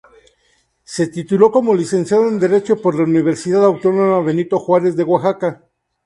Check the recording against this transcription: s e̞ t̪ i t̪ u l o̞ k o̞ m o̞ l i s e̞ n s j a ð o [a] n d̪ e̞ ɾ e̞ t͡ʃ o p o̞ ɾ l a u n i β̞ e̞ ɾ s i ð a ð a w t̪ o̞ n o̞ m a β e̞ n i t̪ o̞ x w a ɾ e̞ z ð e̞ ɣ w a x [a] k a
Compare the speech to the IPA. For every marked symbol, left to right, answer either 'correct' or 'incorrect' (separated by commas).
incorrect, correct